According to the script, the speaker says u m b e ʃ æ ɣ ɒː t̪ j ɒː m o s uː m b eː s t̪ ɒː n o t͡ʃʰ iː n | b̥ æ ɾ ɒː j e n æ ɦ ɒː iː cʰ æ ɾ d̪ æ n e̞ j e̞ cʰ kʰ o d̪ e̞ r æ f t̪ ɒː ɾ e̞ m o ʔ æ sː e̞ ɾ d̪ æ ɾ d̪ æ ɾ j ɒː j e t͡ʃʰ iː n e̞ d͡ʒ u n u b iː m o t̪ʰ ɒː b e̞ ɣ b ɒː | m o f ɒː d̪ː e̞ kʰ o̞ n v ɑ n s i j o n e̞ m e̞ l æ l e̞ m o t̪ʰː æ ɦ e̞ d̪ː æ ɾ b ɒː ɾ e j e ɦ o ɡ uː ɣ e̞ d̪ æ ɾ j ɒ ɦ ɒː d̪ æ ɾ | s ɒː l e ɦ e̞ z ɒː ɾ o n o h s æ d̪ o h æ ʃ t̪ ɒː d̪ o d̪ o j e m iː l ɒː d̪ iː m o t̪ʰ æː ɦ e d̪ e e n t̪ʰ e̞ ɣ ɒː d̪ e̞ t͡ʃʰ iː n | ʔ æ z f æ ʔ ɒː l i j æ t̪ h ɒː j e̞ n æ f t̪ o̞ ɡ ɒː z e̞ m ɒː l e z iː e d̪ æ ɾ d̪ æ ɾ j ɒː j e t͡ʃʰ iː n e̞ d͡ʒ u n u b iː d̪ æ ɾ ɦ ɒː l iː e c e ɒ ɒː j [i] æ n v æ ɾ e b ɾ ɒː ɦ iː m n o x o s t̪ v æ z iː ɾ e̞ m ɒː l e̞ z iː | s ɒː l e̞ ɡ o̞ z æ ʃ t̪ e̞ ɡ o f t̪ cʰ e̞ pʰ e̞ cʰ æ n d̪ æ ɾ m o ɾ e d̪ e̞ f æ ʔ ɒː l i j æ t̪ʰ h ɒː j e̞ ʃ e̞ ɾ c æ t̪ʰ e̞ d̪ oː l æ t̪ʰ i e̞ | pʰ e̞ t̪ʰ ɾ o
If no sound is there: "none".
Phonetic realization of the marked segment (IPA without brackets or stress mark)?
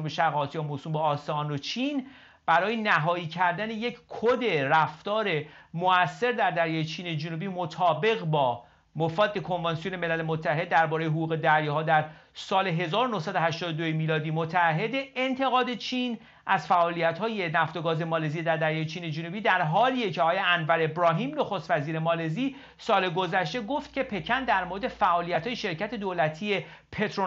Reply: e